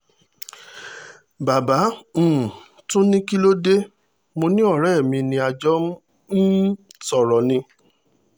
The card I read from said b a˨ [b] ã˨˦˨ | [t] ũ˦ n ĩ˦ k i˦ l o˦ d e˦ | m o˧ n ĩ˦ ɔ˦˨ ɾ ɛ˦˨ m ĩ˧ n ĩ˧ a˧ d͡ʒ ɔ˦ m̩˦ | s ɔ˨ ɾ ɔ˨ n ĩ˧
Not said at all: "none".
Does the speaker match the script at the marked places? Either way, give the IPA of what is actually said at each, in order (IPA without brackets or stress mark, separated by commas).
b, t